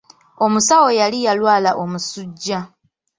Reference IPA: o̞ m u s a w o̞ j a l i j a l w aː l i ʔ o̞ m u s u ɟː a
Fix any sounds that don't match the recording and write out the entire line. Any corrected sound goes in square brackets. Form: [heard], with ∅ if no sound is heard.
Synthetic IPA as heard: o̞ m u s a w o̞ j a l i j a l w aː l [a] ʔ o̞ m u s u ɟː a